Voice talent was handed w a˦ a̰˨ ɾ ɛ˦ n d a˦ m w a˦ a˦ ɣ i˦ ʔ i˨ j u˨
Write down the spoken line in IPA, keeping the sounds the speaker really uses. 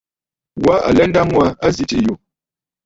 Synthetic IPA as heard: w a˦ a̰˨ l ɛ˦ n d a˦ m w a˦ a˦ z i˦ t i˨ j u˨